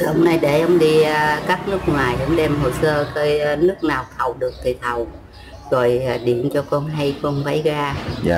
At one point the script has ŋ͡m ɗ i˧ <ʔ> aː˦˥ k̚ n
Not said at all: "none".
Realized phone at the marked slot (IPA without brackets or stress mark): k